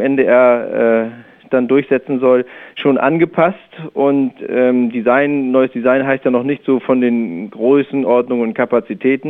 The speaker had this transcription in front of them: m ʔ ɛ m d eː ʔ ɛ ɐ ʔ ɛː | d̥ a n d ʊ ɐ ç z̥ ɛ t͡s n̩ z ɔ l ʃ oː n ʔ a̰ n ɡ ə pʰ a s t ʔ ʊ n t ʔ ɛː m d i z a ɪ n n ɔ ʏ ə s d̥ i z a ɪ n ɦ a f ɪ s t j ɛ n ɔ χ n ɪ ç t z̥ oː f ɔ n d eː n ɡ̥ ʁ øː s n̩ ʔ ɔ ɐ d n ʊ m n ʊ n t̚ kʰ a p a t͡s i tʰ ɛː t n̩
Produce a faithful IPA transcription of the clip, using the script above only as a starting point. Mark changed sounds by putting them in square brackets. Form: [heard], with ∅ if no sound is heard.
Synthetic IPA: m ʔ ɛ [n] d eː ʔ ɛ ɐ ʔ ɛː | d̥ a n d ʊ ɐ ç z̥ ɛ t͡s n̩ z ɔ l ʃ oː n ʔ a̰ n ɡ ə pʰ a s t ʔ ʊ n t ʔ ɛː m d i z a ɪ n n ɔ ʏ ə s d̥ i z a ɪ n ɦ a [∅] ɪ s t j [a] n ɔ χ n ɪ ç t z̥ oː f ɔ n d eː n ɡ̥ ʁ øː s n̩ ʔ ɔ ɐ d n ʊ [ŋ] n ʊ n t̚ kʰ a p a t͡s i tʰ ɛː t n̩